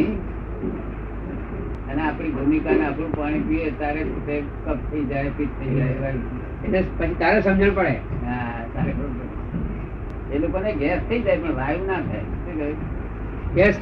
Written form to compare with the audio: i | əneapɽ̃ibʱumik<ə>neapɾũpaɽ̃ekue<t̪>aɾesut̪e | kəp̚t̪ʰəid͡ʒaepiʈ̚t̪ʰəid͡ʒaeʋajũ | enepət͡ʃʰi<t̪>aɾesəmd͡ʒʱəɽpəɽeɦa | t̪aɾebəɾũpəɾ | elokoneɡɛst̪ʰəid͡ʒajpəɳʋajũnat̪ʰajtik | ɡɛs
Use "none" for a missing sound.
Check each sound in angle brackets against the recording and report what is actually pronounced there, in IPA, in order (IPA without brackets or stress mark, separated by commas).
a, t̪, t̪